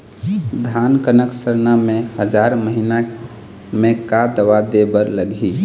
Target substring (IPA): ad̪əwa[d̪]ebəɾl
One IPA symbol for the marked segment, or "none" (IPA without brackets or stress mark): d̪